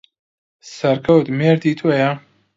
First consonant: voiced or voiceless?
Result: voiceless